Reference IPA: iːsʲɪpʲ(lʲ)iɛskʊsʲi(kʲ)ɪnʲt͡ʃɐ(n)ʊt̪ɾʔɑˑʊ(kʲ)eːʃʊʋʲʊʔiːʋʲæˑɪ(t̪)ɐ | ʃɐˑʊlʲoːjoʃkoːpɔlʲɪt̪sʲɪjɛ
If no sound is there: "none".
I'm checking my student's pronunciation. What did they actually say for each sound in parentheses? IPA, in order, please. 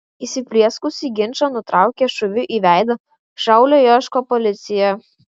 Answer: lʲ, ɡʲ, n, kʲ, d̪

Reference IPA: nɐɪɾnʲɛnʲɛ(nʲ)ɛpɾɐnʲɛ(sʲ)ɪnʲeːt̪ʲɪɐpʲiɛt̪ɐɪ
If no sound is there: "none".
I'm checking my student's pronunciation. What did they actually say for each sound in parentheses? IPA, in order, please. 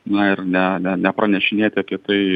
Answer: nʲ, ʃʲ

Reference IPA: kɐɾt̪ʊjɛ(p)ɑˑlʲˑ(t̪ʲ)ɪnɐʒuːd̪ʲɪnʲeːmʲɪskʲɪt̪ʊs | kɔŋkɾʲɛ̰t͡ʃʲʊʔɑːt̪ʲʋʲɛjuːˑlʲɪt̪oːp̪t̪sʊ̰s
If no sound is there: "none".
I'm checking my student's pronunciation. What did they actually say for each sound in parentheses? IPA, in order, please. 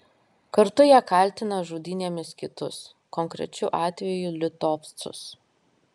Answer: k, t̪ʲ

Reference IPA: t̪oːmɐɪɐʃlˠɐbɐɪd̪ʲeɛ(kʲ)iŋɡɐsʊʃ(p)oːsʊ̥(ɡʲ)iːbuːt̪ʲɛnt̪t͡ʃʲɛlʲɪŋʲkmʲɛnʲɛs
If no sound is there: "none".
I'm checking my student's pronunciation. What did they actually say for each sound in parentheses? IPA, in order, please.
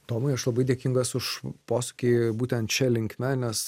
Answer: kʲ, p, kʲ

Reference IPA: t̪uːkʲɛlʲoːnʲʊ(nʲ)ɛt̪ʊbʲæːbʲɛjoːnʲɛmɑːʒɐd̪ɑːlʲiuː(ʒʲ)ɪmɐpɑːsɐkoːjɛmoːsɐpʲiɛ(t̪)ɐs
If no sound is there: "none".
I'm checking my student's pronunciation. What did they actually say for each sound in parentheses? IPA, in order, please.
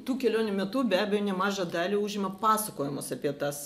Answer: mʲ, ʒʲ, t̪

